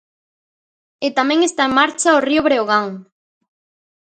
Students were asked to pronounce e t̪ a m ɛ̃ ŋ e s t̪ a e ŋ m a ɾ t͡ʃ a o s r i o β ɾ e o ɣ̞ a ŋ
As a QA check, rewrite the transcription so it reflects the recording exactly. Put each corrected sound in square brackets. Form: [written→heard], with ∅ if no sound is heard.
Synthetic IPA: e t̪ a m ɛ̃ ŋ e s t̪ a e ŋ m a ɾ t͡ʃ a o [s→∅] r i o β ɾ e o ɣ̞ a ŋ